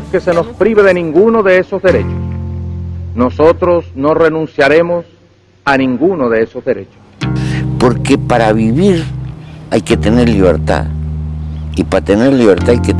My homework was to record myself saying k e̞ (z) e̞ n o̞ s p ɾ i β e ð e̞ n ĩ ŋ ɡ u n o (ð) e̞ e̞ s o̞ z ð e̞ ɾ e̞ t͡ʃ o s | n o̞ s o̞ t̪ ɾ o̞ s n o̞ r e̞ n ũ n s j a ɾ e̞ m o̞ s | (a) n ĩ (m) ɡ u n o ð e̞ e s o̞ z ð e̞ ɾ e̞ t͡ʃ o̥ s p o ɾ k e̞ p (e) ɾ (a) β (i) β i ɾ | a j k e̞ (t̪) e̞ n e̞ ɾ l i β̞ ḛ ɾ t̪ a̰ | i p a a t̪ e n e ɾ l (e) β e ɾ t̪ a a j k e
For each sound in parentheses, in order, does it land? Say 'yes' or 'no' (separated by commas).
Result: no, yes, yes, no, no, yes, yes, yes, no